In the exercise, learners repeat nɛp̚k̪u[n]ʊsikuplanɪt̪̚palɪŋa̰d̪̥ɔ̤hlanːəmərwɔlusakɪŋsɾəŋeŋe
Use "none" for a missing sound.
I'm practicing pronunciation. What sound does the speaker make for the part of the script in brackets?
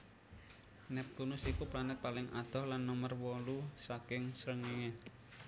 n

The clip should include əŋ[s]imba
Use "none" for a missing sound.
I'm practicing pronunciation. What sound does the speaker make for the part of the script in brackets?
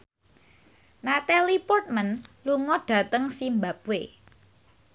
s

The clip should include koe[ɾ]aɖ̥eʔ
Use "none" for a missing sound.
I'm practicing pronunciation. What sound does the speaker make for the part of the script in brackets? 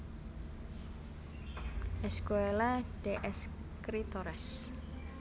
l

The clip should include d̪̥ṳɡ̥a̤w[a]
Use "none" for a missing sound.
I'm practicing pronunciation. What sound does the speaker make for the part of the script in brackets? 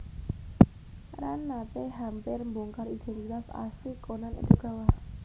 a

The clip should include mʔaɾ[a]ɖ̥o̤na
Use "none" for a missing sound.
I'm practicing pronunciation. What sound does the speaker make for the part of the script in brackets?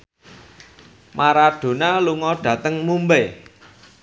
a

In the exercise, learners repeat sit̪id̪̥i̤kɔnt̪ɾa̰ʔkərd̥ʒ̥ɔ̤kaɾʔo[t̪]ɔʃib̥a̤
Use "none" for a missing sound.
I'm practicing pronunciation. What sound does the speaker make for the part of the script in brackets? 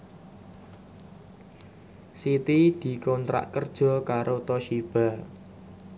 t̪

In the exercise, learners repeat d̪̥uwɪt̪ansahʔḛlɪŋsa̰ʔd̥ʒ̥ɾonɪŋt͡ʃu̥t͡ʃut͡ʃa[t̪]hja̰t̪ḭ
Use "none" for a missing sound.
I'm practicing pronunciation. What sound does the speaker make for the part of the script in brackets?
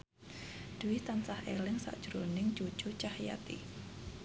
none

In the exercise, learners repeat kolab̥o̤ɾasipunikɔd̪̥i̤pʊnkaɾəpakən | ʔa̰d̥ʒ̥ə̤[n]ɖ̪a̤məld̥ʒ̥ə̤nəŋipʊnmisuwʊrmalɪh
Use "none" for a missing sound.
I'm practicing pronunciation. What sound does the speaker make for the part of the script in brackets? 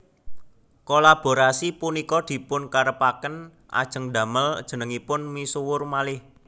ŋ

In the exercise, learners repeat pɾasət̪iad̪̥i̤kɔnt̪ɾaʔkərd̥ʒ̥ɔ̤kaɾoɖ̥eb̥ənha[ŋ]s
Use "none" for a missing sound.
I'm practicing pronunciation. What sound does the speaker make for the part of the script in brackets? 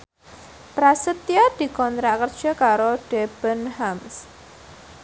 m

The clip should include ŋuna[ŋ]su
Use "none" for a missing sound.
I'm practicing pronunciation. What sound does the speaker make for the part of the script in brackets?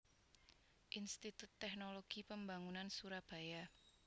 n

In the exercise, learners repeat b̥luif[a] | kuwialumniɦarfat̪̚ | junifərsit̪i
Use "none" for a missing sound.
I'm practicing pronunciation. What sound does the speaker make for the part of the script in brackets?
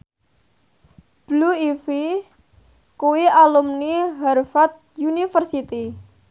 i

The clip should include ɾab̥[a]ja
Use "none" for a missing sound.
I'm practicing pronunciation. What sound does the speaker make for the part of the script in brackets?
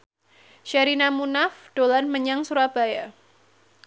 a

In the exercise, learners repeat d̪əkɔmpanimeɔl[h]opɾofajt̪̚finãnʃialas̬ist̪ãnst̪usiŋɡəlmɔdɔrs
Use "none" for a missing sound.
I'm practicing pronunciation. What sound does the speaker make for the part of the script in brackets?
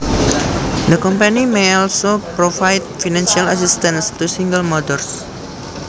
s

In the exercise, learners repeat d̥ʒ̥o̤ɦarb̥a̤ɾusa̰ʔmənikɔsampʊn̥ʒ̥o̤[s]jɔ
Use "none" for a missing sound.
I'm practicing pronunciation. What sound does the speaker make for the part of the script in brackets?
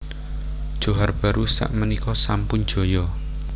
none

